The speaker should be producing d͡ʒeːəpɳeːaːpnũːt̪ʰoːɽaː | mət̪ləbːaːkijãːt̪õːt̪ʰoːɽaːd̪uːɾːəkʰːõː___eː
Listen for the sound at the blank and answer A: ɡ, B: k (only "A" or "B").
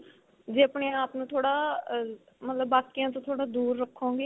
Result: A